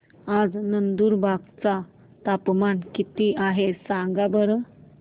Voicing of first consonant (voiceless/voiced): voiced